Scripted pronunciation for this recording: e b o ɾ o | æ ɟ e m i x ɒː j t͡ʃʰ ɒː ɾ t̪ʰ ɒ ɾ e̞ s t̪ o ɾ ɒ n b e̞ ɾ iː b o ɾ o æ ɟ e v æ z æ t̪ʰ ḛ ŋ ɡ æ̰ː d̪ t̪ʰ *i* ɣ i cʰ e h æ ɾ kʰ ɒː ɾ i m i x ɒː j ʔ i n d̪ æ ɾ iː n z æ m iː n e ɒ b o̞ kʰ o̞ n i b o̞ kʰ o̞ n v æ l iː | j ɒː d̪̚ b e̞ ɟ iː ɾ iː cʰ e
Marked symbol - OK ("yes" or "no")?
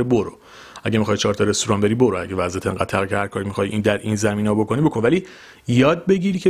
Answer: no